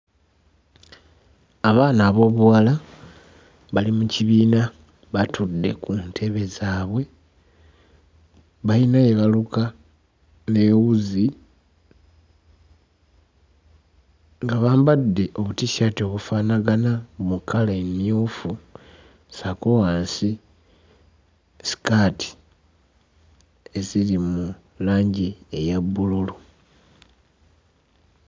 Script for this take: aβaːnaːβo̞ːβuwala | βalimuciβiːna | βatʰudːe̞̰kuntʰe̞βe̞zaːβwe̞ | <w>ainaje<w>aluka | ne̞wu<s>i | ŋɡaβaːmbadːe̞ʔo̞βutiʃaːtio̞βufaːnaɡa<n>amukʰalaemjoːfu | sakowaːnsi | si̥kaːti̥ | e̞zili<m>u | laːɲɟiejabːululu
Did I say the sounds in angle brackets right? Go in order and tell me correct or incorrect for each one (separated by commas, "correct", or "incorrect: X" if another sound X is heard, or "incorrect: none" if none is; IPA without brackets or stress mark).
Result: incorrect: β, incorrect: β, incorrect: z, correct, correct